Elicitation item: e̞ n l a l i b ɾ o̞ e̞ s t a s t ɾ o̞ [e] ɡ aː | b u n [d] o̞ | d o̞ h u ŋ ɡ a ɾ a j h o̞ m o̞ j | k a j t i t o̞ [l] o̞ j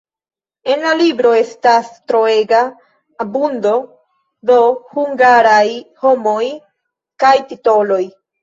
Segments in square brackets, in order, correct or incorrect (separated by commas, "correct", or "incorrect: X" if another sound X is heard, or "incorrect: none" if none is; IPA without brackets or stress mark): correct, correct, correct